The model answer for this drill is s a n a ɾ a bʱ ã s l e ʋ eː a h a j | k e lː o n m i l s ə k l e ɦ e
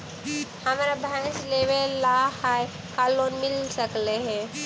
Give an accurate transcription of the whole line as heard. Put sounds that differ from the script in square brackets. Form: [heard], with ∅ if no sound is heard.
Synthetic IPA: [h] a [m] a ɾ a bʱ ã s l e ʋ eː a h a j | k [a] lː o n m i l s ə k l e ɦ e